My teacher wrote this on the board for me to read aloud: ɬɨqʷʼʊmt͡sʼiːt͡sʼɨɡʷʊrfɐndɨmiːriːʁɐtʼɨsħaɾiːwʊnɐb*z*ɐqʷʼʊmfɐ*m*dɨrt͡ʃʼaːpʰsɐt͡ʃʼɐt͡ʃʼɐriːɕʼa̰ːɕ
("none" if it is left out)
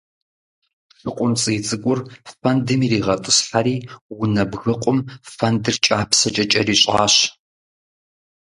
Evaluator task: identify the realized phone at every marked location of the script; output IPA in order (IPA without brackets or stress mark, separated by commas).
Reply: ɣ, n